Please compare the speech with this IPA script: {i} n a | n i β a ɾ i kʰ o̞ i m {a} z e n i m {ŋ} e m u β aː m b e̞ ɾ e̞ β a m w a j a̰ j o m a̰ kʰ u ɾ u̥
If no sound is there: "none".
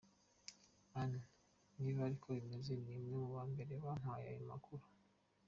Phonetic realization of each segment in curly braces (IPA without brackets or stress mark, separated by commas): a, e, ŋ